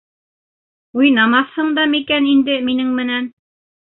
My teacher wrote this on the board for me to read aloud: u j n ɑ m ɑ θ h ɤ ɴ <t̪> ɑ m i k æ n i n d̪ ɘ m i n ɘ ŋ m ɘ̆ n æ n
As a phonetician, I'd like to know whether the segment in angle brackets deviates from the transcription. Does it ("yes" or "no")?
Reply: yes